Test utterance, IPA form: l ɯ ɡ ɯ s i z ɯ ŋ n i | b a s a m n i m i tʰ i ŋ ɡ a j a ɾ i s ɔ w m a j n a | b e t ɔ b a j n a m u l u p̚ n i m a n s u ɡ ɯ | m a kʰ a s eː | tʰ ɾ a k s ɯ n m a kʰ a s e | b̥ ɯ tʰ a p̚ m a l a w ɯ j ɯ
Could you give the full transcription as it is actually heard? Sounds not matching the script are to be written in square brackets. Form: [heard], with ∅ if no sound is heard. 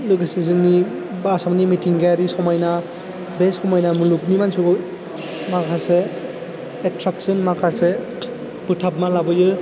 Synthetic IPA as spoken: l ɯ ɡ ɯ s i z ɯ ŋ n i | b a s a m n i m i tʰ i ŋ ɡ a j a ɾ i s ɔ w m a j n a | b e [s] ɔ [m] a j n a m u l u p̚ n i m a n s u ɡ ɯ | m a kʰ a s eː | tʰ ɾ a k s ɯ n m a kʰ a s e | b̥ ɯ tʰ a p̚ m a l a [b] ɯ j ɯ